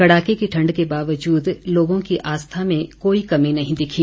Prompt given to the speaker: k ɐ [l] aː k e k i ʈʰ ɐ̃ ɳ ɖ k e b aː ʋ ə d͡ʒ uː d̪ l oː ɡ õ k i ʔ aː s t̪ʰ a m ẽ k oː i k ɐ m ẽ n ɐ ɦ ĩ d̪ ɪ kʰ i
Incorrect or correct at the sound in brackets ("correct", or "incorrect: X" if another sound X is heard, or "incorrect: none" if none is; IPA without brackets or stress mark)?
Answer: incorrect: ɽ